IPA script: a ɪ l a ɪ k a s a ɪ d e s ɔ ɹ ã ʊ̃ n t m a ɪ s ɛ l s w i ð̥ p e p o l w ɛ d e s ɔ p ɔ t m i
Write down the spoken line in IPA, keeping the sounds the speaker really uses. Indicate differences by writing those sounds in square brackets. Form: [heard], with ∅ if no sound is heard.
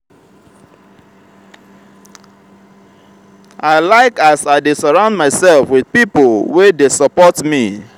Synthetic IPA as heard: a ɪ l a ɪ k a s a ɪ d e s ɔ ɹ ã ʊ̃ n [d] m a ɪ s ɛ l [f] w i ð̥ p [i] p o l w [e] d e s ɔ p ɔ t m i